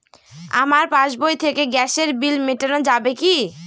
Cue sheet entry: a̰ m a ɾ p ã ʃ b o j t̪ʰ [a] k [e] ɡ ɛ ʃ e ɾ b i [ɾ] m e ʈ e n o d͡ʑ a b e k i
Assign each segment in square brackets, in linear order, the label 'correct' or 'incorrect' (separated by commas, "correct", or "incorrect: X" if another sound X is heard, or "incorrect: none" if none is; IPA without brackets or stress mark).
incorrect: e, correct, incorrect: l